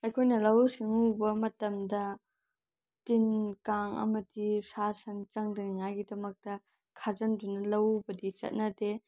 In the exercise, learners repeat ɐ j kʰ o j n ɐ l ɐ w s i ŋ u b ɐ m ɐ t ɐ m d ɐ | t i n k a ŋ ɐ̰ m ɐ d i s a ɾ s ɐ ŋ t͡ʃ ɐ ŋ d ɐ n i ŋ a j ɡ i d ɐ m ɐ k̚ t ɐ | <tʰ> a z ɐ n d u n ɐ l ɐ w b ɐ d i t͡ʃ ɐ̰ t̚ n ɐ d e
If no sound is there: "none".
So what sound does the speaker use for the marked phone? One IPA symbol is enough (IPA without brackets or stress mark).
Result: kʰ